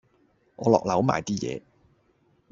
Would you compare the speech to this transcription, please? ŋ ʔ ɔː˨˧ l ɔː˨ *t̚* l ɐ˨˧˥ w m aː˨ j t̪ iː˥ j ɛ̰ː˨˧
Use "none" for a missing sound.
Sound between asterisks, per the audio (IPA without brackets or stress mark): k̚